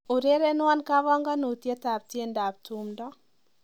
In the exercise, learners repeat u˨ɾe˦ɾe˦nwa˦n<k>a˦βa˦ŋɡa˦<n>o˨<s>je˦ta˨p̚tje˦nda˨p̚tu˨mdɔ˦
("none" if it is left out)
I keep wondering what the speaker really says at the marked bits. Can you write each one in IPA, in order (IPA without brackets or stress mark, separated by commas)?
k, n, t